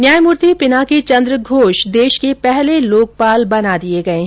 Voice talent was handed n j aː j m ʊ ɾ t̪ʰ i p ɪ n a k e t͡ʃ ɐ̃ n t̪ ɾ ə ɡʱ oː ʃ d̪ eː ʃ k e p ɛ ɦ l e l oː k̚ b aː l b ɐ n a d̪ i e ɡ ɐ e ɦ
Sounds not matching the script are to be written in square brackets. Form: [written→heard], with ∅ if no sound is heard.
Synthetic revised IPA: n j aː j m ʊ ɾ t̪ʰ i p ɪ n a k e t͡ʃ ɐ̃ n [t̪→d̪] ɾ ə ɡʱ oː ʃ d̪ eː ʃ k e p ɛ ɦ l e l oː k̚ [b→p] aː l b ɐ n a d̪ i e ɡ ɐ e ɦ